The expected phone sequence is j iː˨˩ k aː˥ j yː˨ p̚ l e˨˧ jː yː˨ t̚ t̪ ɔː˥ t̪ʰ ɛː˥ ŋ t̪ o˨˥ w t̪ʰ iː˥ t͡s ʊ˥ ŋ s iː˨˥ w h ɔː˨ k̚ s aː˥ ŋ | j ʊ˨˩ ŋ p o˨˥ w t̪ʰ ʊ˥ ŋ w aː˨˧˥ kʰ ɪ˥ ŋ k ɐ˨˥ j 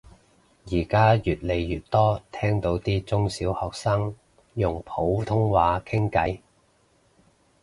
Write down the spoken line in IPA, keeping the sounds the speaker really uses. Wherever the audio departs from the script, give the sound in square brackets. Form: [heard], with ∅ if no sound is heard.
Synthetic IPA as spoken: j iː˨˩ k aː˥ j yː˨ [t̚] l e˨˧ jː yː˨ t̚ t̪ ɔː˥ t̪ʰ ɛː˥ ŋ t̪ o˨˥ w [t̪] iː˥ t͡s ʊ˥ ŋ s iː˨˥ w h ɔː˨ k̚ s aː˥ ŋ | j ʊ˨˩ ŋ [pʰ] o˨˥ w t̪ʰ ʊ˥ ŋ w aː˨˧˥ kʰ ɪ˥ ŋ k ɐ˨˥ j